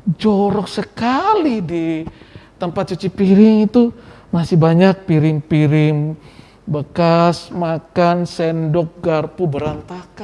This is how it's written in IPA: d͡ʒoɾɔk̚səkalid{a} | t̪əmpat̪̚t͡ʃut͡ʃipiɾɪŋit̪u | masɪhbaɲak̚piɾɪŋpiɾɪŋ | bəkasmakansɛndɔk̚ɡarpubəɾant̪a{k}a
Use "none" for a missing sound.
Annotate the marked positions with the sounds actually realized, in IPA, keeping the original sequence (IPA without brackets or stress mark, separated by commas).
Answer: i, k